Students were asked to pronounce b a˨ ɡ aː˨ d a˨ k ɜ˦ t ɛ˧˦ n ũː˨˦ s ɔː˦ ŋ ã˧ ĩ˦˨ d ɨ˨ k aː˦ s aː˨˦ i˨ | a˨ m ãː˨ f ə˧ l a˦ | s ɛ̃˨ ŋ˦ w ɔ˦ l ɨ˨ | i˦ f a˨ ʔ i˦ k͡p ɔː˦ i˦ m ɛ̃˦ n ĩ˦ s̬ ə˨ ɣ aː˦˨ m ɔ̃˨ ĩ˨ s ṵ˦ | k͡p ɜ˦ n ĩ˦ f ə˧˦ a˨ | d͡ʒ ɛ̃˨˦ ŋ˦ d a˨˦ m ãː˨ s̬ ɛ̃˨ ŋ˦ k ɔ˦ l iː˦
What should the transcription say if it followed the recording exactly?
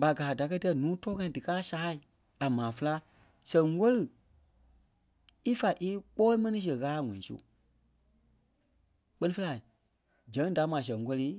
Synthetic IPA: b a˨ ɡ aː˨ d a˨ k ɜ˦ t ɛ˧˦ n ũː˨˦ t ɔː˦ ŋ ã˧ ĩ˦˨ d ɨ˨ k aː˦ s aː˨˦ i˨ | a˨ m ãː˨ f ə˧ l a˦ | s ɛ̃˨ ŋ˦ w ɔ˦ l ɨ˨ | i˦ f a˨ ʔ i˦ k͡p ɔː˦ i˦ m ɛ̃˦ n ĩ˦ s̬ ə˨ ɣ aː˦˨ ŋ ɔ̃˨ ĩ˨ s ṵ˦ | k͡p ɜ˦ n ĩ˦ f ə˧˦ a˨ | d͡ʒ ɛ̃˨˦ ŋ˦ d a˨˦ m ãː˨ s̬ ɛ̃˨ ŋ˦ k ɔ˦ l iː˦